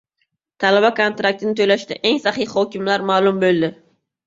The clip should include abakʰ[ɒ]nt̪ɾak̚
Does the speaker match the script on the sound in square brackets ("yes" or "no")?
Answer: no